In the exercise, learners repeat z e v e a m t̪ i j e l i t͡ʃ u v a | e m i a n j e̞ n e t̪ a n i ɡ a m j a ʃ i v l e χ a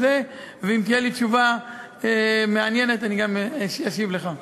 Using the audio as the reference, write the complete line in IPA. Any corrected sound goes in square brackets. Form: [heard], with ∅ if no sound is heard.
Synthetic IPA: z e v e [i] m t̪ i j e l i t͡ʃ u v a | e m [e] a n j e̞ n e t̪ a n i ɡ a m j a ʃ i v l e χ a